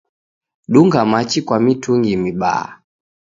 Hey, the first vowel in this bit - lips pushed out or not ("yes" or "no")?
yes